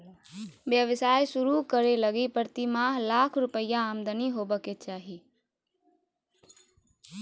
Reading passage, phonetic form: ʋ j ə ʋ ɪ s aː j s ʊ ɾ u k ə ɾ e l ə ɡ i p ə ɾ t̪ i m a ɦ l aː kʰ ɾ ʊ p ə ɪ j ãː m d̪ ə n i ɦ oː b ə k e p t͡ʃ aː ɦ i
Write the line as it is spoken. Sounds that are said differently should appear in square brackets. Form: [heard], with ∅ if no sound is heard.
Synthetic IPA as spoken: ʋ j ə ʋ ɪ s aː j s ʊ ɾ u k ə ɾ e l ə ɡ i p ə ɾ t̪ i m a ɦ l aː kʰ ɾ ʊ p ə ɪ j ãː m d̪ ə n i ɦ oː b ə k e [∅] t͡ʃ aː ɦ i